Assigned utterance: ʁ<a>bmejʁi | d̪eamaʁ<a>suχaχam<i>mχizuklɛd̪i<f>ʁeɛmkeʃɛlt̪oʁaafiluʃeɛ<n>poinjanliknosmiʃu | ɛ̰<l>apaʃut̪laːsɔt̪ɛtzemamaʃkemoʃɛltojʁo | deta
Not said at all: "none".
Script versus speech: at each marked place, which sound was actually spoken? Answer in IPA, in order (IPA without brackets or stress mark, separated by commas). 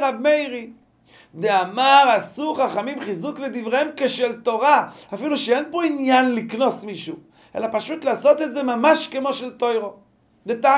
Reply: a, a, i, v, n, l